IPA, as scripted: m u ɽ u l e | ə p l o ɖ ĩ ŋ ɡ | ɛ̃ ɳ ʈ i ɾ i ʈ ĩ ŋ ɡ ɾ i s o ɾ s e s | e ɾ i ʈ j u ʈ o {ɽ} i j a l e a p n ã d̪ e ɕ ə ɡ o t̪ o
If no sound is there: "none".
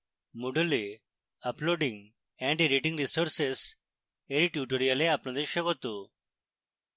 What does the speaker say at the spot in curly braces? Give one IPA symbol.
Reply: ɾ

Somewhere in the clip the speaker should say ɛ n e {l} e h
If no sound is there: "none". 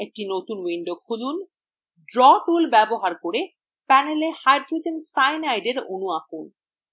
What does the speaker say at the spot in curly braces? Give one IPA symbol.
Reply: l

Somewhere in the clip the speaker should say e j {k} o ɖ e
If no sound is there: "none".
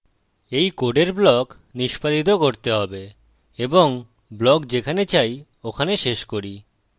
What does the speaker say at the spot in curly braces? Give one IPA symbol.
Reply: k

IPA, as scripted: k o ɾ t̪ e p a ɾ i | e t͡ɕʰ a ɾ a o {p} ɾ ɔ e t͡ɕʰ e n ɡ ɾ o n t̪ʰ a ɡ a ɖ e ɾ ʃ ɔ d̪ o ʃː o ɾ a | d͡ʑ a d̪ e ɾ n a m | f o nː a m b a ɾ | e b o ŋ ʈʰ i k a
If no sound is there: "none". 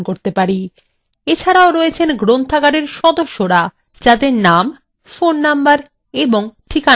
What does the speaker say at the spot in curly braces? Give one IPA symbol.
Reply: none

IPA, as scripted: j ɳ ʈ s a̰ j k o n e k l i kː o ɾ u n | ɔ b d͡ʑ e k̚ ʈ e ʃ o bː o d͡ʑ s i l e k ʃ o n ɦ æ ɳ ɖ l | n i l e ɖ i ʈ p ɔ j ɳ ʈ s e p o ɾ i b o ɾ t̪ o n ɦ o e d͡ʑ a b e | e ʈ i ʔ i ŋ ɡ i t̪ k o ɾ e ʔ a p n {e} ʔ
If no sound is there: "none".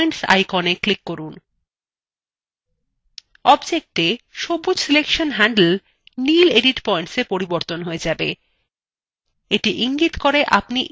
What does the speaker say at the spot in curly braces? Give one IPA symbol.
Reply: i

